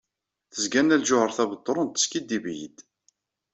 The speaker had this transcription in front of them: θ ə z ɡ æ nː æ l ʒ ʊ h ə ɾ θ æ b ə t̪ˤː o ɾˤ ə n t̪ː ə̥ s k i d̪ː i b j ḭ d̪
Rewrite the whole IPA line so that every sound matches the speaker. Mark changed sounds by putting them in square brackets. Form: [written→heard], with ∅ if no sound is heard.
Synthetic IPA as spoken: θ ə z ɡ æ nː æ l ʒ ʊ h ə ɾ θ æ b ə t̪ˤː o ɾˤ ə n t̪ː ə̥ s k i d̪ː i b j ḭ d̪